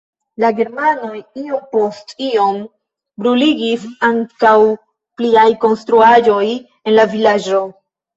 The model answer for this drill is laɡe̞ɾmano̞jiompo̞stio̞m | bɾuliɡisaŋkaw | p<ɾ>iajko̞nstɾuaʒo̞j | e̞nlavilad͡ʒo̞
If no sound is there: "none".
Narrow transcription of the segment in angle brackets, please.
l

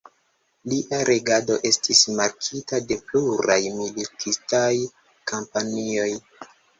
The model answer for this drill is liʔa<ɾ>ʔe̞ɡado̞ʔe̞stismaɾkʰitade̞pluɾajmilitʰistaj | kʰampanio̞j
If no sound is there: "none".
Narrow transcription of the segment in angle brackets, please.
ɾ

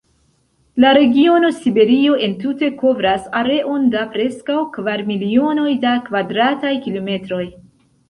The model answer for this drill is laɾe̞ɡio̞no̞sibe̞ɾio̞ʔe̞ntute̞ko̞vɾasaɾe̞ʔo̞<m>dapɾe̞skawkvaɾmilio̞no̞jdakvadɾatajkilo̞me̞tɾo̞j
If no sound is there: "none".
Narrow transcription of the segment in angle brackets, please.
n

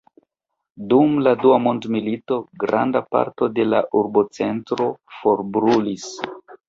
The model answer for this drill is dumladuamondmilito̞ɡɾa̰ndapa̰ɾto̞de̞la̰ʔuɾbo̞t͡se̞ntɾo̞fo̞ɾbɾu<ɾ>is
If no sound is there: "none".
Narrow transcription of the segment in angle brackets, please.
l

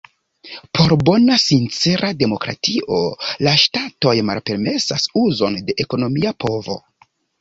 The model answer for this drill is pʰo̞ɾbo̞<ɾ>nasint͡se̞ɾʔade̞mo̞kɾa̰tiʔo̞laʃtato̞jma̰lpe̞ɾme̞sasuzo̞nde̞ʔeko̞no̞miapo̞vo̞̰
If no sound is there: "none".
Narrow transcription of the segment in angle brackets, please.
none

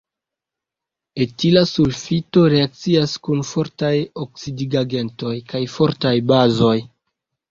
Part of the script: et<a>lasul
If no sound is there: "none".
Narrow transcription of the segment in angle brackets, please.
i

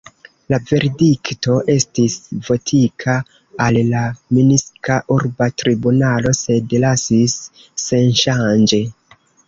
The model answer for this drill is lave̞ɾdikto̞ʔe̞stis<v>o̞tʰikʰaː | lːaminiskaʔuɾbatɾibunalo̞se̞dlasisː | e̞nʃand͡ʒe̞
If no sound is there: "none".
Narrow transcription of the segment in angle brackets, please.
v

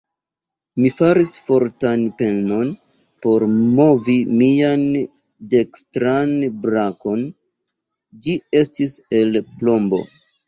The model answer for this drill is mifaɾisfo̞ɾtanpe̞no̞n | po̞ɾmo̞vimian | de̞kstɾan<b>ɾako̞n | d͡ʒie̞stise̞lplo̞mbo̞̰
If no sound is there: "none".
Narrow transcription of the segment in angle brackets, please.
b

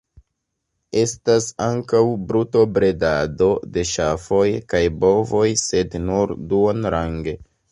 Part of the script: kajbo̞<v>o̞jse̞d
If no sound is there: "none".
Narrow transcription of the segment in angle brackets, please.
v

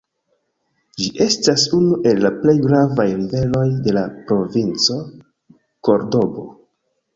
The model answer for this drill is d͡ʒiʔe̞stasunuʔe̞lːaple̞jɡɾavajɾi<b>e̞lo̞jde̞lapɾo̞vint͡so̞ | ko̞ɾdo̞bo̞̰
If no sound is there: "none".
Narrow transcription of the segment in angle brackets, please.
v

